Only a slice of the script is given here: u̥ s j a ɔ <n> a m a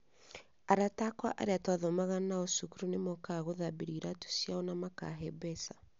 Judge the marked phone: correct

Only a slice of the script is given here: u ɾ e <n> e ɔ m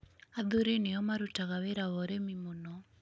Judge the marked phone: correct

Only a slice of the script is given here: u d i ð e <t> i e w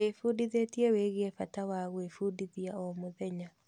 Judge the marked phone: correct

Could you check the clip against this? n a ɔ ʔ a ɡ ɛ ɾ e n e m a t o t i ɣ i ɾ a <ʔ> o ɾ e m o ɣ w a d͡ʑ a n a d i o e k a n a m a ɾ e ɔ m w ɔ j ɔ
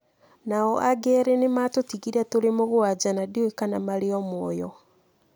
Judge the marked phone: incorrect: t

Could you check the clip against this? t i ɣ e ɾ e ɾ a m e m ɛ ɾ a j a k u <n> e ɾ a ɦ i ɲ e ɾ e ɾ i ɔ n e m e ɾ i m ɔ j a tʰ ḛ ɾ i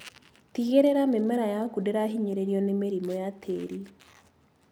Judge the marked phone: incorrect: d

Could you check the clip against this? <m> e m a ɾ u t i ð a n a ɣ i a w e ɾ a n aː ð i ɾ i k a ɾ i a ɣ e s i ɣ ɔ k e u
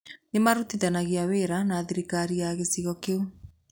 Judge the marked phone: incorrect: n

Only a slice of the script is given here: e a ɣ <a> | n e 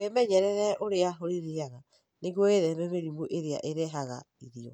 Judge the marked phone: correct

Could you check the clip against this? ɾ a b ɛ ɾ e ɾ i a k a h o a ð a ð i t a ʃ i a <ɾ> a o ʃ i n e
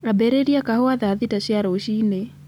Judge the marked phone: correct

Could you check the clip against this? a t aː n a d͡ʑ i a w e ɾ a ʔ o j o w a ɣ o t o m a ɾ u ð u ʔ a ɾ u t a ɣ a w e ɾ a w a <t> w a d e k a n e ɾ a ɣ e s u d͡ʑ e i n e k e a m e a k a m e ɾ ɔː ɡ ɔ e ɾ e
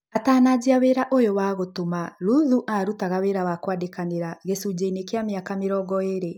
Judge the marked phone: incorrect: k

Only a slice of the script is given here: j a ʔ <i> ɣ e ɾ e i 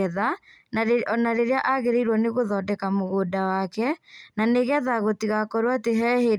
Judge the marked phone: incorrect: a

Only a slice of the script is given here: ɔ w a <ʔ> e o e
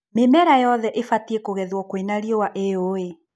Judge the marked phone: correct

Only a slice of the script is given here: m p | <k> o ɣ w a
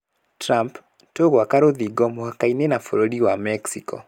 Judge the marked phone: incorrect: t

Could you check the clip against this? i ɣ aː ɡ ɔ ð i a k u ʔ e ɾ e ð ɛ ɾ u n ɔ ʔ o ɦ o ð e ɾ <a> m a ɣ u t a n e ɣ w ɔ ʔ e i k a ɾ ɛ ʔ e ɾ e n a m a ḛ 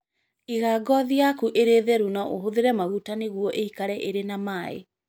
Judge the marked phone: incorrect: ɛ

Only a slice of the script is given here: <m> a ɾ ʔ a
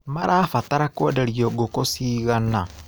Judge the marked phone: correct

